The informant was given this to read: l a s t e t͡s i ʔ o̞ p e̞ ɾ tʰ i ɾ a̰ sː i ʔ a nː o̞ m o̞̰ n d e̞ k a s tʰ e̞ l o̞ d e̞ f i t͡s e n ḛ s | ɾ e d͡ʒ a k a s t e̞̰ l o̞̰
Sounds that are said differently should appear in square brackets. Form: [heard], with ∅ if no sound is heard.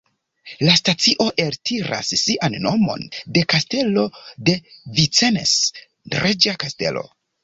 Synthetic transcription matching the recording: l a s t [a] t͡s i ʔ o̞ [ʔ] e̞ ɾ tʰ i ɾ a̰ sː i ʔ a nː o̞ m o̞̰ n d e̞ k a s [t] e̞ l o̞ d e̞ [v] i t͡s e n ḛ s | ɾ e d͡ʒ a k a s t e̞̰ l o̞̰